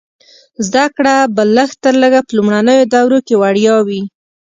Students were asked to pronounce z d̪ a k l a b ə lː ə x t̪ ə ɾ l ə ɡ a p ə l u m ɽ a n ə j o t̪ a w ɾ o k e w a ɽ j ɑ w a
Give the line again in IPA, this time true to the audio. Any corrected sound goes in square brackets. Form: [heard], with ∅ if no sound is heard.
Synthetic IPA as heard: z d̪ a k [ɽ] a b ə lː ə x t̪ ə ɾ l ə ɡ a p ə l u m ɽ a n ə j o [d̪] a w ɾ o k e w a ɽ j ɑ w [i]